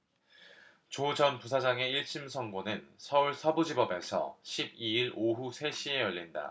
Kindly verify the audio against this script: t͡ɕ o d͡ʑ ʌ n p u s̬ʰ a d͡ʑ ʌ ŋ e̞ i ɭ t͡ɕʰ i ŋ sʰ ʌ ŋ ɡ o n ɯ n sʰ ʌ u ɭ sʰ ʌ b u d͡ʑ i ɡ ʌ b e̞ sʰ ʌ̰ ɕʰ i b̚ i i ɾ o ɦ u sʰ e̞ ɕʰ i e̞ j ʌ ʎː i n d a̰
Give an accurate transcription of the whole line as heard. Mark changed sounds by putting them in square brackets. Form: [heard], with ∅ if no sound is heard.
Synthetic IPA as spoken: t͡ɕ o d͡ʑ ʌ n p u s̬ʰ a d͡ʑ [a] ŋ e̞ i ɭ t͡ɕʰ i [m] sʰ ʌ ŋ ɡ o n ɯ n sʰ ʌ u ɭ sʰ ʌ b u d͡ʑ i [b] ʌ b e̞ sʰ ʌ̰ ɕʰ i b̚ i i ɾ o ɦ u sʰ e̞ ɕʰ i e̞ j ʌ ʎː i n d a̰